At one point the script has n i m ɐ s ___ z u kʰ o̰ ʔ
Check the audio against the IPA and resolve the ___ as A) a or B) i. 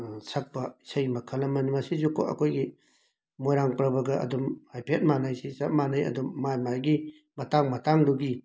B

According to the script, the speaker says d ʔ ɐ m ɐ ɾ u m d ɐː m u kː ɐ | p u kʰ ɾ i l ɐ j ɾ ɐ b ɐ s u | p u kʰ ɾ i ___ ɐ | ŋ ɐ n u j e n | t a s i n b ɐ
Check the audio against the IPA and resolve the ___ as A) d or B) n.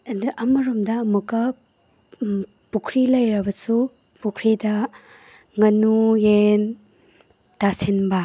A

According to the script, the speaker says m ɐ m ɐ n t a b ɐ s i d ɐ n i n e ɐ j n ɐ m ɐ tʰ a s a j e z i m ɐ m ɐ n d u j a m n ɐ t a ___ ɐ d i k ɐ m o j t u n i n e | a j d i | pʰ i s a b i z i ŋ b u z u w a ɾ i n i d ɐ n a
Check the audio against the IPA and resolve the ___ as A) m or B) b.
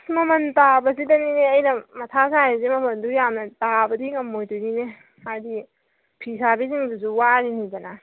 B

